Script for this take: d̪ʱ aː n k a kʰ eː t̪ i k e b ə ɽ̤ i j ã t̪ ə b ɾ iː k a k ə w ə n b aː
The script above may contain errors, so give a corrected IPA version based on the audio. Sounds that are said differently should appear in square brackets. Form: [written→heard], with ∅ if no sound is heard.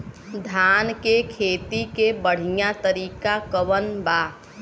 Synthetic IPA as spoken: d̪ʱ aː n k [a→e] kʰ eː t̪ i k e b ə ɽ̤ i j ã t̪ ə [b→∅] ɾ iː k a k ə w ə n b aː

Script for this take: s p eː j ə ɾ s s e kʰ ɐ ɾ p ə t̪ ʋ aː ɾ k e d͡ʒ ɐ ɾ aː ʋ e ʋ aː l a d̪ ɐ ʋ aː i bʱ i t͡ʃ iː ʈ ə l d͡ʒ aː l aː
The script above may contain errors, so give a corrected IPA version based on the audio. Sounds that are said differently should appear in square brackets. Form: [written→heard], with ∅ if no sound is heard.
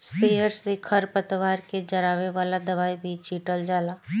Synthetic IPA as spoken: s p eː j ə ɾ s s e kʰ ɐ ɾ p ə t̪ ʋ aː ɾ k e d͡ʒ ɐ ɾ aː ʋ e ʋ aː l a d̪ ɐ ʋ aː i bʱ i t͡ʃ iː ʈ ə l d͡ʒ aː l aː

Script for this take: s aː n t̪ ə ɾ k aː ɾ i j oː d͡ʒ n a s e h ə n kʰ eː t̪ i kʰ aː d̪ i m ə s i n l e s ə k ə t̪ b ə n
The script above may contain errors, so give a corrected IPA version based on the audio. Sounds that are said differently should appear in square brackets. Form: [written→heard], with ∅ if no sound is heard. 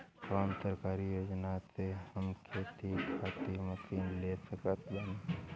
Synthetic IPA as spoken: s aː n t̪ ə ɾ k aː ɾ i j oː d͡ʒ n a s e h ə [n→m] kʰ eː t̪ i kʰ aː [d̪→t̪] i m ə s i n l e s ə k ə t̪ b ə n

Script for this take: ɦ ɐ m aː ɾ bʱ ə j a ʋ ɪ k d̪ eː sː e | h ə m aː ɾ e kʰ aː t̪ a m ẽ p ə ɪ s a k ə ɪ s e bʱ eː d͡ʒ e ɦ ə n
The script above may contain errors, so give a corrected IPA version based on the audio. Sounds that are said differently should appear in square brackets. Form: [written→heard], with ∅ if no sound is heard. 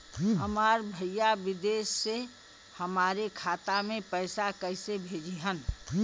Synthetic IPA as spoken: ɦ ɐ m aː ɾ bʱ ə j a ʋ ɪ [k→∅] d̪ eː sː e | h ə m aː ɾ e kʰ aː t̪ a m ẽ p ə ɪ s a k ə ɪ s e bʱ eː d͡ʒ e ɦ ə n

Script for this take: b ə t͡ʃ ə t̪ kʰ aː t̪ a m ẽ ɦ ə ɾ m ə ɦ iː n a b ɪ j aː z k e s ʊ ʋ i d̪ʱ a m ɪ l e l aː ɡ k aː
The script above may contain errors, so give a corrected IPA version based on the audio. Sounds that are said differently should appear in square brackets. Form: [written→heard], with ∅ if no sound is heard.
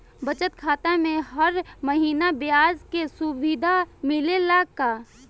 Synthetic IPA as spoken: b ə t͡ʃ ə t̪ kʰ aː t̪ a m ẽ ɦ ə ɾ m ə ɦ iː n a b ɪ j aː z k e s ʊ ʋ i d̪ʱ a m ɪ l e l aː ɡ k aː

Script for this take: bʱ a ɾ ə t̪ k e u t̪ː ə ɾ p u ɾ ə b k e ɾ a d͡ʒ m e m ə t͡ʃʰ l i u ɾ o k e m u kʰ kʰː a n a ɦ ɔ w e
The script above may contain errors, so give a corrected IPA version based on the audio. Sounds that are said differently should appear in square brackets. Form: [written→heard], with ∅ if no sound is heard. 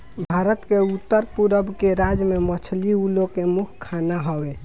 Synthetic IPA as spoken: bʱ a ɾ ə t̪ k e u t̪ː ə ɾ p u ɾ ə b k e ɾ a d͡ʒ m e m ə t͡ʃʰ l i u [ɾ→l] o k e m u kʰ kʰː a n a ɦ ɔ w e

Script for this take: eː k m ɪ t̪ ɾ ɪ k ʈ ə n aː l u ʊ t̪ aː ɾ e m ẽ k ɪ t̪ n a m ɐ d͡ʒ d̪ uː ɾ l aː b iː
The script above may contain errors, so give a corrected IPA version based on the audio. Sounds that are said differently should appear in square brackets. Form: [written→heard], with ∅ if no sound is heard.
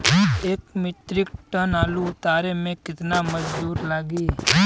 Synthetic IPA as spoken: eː k m ɪ t̪ ɾ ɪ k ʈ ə n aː l u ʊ t̪ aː ɾ e m ẽ k ɪ t̪ n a m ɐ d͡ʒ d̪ uː ɾ l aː [b→ɡ] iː

